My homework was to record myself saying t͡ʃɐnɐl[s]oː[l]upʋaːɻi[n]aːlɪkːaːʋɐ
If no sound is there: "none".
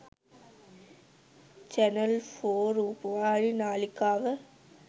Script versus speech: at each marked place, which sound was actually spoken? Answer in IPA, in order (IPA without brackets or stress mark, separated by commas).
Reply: f, ɾ, n